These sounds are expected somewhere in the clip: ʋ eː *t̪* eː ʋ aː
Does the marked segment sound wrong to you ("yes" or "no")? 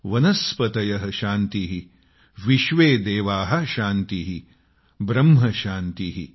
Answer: yes